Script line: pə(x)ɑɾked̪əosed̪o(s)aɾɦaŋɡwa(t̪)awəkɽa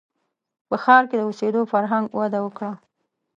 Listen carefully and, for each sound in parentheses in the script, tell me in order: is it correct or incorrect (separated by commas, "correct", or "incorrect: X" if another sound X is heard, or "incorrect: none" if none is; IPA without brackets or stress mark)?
correct, incorrect: f, incorrect: d̪